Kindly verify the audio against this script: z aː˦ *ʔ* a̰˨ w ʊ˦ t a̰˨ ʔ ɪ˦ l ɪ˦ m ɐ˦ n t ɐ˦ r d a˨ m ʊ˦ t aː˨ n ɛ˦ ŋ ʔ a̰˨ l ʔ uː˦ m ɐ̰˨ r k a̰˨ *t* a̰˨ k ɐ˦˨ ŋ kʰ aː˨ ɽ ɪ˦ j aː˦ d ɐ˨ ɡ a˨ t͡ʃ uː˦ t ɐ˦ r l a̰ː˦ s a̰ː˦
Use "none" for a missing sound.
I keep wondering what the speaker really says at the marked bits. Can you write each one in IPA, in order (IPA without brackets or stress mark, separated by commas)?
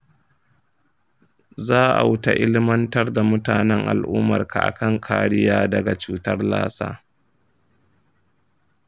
ʔ, ʔ